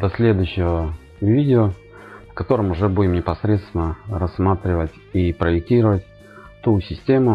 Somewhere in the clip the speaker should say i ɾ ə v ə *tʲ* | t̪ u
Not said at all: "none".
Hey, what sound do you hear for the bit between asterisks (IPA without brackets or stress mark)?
tʲ